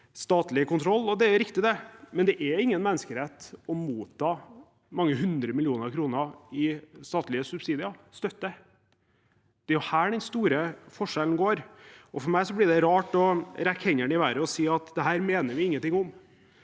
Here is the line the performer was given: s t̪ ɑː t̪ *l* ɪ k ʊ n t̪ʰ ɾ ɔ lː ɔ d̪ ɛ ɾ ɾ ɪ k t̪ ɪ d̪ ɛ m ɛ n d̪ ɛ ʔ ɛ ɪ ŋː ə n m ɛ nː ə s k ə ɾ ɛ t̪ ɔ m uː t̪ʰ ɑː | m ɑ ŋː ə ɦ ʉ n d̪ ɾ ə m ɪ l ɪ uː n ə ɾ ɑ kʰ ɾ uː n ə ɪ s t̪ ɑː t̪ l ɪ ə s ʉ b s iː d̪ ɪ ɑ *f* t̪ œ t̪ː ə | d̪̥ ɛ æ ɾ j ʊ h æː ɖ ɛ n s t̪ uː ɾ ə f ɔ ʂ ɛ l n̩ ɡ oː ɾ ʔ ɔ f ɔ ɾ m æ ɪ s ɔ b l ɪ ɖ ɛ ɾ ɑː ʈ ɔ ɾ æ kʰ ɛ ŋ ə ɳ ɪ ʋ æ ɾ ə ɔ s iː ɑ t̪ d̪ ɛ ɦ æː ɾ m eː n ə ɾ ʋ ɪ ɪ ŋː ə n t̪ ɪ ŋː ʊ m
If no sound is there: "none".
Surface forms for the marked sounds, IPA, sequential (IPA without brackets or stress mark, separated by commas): l, s